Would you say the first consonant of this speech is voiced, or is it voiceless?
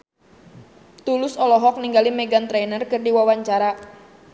voiceless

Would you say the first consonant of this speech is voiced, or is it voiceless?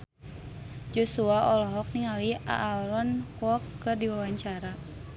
voiced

